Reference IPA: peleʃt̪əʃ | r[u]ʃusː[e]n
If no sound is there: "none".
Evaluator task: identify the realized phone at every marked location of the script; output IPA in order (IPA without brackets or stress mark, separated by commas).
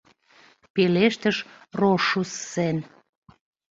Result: o, e